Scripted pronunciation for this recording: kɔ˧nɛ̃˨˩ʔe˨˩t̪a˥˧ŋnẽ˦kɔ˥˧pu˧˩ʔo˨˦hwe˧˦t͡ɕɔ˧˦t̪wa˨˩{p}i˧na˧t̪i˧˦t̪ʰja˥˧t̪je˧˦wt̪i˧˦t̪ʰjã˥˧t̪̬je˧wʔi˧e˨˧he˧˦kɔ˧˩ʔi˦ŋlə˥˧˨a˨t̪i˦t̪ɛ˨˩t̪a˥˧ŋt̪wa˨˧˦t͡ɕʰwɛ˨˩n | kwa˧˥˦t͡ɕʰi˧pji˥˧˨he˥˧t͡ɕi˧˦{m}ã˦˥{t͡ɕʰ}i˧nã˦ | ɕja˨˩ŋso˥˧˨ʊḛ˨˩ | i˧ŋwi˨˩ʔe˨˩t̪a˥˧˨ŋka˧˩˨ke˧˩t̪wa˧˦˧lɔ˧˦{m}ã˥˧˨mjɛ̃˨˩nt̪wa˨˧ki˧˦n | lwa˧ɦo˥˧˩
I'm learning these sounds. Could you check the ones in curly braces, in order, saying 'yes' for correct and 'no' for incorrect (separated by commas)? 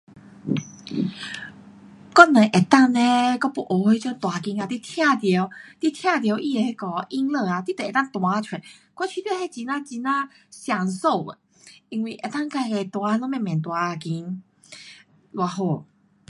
no, no, no, yes